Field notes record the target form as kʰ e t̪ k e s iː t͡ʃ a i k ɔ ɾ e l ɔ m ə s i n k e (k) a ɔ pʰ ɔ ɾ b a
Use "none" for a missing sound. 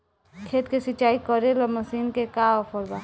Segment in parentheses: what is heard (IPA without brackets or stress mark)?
k